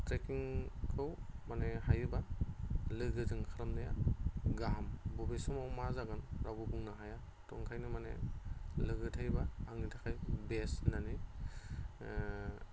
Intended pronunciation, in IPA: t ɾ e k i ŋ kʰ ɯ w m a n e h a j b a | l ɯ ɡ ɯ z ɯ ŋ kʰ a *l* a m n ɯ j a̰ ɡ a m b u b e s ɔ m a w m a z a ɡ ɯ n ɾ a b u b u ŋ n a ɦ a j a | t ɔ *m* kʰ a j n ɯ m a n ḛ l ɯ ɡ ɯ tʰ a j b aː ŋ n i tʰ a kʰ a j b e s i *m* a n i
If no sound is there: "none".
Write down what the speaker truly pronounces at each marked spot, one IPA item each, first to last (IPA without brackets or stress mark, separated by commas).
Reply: ɾ, ŋ, n